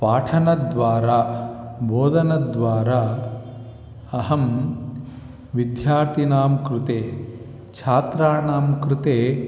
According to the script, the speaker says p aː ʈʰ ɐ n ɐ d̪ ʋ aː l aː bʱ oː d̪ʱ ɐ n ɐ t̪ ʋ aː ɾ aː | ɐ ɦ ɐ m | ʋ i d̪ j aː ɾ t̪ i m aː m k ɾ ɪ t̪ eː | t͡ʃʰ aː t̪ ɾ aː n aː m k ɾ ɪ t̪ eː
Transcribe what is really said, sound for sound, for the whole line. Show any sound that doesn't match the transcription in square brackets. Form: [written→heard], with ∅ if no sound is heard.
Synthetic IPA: p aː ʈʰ ɐ n ɐ d̪ ʋ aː [l→ɾ] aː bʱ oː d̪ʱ ɐ n ɐ [t̪→d̪] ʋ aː ɾ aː | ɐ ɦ ɐ m | ʋ i d̪ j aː ɾ t̪ i [m→n] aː m k ɾ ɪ t̪ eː | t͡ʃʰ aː t̪ ɾ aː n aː m k ɾ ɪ t̪ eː